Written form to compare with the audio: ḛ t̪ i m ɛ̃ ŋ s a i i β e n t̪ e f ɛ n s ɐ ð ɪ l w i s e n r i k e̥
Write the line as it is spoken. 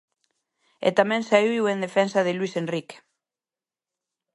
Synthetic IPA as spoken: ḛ t̪ a m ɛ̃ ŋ s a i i w e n d̪ e f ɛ n s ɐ ð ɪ l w i s e n r i k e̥